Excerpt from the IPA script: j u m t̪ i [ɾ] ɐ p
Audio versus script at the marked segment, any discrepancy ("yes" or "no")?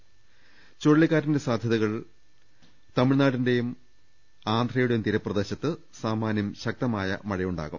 no